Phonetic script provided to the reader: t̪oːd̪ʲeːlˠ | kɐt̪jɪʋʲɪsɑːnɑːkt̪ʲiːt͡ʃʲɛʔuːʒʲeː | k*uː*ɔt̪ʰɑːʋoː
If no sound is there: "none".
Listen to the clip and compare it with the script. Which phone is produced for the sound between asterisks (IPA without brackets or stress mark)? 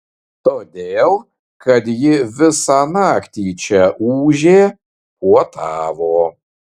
u